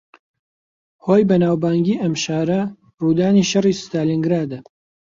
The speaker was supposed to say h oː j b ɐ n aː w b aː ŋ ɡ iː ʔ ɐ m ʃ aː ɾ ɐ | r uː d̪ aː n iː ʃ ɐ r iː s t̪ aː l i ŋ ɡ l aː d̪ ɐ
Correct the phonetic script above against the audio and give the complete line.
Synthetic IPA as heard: h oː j b ɐ n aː w b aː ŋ ɡ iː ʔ ɐ m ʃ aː ɾ ɐ | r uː d̪ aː n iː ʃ ɐ r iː s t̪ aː l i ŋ ɡ ɾ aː d̪ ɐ